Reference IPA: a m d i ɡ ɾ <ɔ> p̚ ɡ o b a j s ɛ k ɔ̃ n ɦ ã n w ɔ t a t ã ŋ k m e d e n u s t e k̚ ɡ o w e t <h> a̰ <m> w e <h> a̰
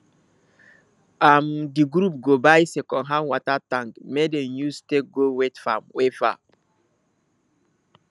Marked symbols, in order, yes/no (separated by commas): no, no, yes, no